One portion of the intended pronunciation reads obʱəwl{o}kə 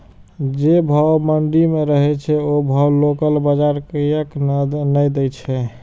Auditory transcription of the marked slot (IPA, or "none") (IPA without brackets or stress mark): o